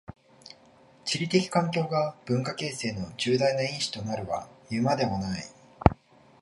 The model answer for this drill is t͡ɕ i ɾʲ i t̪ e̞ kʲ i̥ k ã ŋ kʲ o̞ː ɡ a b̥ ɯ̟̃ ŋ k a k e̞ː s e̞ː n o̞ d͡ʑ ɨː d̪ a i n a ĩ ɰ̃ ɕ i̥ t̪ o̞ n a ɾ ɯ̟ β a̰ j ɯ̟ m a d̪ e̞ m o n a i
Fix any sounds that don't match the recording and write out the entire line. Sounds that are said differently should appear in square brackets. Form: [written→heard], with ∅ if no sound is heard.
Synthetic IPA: t͡ɕ i ɾʲ i t̪ e̞ kʲ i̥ k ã ŋ kʲ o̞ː ɡ a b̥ ɯ̟̃ ŋ k a k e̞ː s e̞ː n o̞ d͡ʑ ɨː d̪ a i n a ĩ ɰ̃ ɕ i̥ t̪ o̞ n a ɾ ɯ̟ β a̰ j ɯ̟ m a d̪ e̞ m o n a i